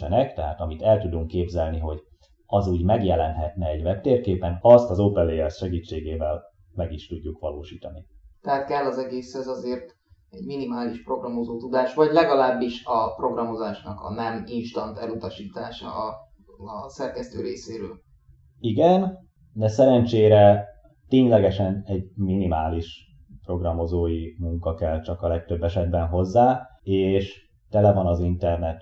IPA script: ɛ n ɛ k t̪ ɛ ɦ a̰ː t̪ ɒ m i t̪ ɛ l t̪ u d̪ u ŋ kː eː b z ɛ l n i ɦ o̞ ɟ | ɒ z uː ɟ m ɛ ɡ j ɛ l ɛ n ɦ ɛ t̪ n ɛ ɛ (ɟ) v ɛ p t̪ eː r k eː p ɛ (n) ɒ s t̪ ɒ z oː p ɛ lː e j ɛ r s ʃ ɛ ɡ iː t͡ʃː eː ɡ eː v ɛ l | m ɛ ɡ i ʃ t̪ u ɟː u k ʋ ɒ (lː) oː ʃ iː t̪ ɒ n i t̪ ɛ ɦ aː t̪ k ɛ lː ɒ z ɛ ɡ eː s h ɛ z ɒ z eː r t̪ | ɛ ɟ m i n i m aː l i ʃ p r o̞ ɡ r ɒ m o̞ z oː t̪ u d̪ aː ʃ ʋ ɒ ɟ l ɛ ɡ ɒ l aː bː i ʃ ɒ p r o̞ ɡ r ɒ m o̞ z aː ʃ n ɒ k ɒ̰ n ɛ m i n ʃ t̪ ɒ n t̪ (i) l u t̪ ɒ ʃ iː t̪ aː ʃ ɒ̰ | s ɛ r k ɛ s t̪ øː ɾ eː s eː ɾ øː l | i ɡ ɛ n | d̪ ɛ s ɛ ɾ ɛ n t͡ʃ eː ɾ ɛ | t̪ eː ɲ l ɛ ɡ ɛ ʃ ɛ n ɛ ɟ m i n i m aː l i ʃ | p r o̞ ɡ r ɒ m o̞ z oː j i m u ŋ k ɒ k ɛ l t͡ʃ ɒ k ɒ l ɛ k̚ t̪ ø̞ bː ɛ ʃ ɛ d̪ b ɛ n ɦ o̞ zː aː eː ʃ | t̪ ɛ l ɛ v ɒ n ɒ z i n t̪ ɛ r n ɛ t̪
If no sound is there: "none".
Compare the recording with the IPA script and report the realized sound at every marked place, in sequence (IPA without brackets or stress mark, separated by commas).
ɟ, n, l, ɛ